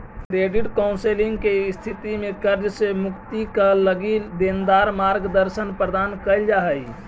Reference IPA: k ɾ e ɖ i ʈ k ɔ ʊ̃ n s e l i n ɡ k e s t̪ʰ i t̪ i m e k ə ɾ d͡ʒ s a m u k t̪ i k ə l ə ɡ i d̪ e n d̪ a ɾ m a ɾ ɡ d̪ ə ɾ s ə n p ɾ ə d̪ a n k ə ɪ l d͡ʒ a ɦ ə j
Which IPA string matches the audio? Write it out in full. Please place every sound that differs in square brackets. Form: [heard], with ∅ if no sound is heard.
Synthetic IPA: k ɾ e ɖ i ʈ k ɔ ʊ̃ n s e l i [ŋ] ɡ k e s t̪ʰ i t̪ i m e k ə ɾ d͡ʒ s [e] m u k t̪ i k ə l ə ɡ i d̪ e n d̪ a ɾ m a ɾ ɡ d̪ ə ɾ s ə n p ɾ ə d̪ a n k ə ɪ l d͡ʒ a ɦ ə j